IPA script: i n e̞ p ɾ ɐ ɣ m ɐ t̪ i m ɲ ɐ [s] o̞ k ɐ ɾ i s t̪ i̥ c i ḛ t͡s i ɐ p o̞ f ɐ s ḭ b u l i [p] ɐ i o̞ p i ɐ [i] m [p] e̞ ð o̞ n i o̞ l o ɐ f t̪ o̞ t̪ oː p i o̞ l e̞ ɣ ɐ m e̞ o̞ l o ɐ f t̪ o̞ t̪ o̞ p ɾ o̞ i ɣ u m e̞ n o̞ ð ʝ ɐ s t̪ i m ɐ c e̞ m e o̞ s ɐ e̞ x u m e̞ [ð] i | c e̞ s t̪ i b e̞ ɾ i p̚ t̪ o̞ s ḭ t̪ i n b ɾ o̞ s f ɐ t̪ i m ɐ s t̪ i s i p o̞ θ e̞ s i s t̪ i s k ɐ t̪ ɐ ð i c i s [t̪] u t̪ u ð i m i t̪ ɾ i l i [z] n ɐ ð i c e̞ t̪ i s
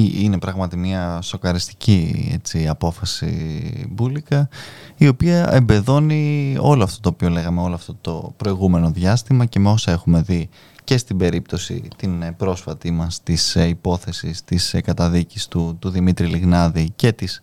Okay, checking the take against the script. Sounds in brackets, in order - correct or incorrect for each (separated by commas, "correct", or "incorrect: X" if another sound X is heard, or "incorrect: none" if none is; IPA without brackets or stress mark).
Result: correct, incorrect: k, incorrect: e, incorrect: b, correct, correct, incorrect: ɣ